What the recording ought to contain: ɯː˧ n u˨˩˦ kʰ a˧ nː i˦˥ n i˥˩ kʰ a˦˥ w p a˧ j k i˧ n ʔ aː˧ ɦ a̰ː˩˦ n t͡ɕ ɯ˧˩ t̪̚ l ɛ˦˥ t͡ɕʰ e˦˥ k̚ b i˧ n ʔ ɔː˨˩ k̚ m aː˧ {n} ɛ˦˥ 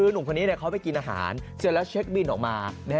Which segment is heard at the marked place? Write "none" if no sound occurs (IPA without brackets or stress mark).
n